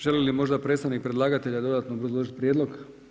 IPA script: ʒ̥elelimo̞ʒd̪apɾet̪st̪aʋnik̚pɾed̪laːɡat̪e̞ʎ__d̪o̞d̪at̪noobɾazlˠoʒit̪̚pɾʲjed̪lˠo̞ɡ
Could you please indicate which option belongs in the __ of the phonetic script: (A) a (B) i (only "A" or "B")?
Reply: A